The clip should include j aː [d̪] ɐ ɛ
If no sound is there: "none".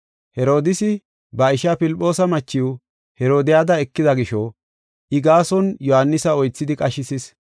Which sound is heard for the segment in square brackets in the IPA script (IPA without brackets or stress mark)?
d̪